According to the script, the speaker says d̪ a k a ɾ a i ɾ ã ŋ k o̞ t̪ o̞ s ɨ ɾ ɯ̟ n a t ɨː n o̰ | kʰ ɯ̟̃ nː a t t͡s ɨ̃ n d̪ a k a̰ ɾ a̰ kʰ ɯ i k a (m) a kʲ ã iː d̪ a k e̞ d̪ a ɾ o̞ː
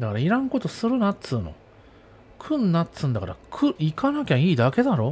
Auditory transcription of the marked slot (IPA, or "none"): n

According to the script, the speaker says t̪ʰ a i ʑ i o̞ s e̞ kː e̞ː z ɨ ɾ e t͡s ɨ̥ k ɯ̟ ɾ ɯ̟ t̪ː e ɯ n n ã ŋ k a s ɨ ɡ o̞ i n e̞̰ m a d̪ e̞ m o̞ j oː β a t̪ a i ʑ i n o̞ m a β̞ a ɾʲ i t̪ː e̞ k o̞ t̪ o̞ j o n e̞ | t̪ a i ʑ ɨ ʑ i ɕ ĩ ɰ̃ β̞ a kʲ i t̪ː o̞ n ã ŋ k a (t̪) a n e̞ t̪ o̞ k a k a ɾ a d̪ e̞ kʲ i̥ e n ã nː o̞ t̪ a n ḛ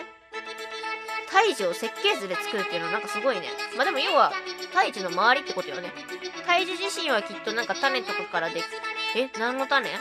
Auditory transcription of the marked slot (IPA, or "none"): t̪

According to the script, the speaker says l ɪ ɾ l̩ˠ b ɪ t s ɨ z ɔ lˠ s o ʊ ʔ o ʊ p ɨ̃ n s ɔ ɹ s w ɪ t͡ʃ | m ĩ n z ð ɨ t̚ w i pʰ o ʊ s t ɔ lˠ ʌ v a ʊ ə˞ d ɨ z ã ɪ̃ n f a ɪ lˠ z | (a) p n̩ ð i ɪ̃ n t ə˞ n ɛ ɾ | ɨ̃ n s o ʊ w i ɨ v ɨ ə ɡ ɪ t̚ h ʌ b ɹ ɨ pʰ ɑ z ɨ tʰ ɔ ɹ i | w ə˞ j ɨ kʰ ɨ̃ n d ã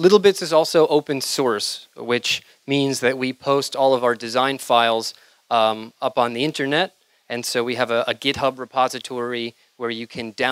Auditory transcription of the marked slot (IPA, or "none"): ʌ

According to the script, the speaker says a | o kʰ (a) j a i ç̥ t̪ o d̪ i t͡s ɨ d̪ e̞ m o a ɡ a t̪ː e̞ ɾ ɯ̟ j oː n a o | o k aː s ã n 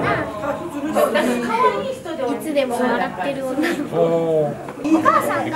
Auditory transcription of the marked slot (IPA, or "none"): a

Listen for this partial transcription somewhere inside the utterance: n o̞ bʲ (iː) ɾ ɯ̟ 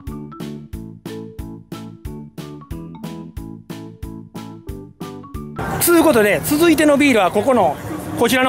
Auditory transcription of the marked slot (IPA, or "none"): iː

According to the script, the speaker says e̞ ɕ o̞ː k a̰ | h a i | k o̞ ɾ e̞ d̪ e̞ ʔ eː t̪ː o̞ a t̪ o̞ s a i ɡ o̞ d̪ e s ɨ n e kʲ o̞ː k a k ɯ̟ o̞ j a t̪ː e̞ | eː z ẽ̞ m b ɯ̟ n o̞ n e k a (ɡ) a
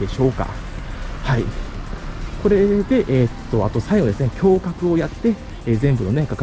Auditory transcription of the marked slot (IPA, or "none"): k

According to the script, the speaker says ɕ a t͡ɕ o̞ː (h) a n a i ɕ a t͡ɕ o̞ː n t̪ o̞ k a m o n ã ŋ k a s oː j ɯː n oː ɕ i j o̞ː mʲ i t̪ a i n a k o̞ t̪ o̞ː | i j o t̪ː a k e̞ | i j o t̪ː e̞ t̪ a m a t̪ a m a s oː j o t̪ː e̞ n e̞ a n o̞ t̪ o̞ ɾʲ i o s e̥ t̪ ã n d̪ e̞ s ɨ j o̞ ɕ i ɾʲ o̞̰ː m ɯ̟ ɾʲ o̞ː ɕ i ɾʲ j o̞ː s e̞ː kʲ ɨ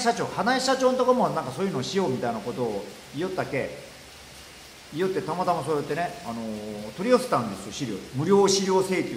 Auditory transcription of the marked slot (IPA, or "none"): h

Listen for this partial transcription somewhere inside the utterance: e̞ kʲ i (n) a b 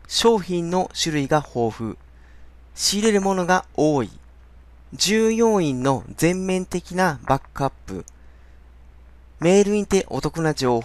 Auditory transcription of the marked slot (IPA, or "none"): n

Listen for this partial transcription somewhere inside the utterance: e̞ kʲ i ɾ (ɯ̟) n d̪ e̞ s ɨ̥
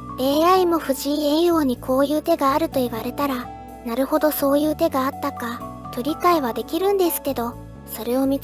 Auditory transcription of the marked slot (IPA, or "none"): ɯ̟̃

